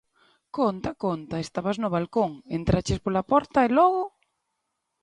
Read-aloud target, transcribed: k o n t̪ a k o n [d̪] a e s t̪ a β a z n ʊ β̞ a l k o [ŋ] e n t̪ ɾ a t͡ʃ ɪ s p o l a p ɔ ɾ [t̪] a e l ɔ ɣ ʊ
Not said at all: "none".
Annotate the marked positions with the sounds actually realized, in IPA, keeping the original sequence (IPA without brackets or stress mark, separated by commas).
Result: t̪, ŋ, t̪